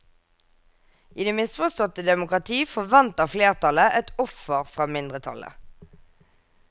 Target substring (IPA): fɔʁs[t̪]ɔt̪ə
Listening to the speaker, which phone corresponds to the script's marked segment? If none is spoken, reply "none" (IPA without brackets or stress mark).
t̪